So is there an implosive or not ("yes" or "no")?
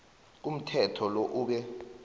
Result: yes